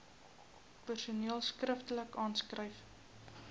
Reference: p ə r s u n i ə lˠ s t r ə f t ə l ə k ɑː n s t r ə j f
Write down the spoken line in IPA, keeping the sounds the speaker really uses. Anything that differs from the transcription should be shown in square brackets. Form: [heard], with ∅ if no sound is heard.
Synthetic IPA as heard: p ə r s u n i ə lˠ s [k] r ə f t ə l ə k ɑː n s [k] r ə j f